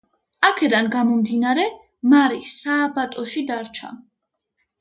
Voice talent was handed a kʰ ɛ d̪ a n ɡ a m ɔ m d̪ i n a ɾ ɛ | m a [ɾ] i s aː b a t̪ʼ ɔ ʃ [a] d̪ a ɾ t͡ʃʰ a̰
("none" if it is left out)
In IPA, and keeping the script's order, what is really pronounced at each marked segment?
ɾ, i

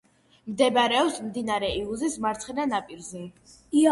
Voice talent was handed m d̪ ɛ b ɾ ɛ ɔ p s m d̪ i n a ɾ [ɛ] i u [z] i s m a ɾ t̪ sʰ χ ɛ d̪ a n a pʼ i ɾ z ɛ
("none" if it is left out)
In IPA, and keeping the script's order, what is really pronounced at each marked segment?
ɛ, z

